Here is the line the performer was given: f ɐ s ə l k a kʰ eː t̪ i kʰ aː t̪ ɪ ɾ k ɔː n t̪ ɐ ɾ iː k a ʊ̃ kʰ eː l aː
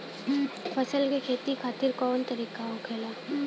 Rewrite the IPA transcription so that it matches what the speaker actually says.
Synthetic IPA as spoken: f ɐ s ə l k e kʰ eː t̪ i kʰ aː t̪ ɪ ɾ k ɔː n t̪ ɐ ɾ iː k a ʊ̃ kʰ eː l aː